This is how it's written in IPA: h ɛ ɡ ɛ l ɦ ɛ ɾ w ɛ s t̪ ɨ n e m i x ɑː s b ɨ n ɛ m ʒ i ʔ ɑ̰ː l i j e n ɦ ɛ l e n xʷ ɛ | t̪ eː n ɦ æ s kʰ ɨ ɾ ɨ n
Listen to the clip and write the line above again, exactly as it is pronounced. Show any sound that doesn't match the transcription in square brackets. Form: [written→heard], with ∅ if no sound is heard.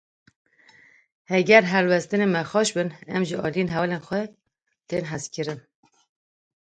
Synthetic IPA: h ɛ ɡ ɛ [l→ɾ] ɦ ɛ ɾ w ɛ s t̪ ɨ n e m [i→ɛ] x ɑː [s→ʃ] b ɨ n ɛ m ʒ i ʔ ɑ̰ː l i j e n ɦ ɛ l e n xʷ ɛ | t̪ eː n ɦ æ s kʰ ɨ ɾ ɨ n